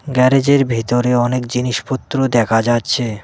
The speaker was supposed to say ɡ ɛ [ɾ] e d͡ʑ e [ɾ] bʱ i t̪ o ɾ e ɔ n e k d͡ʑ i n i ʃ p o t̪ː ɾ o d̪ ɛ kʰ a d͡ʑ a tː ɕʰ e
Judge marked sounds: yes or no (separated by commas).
yes, yes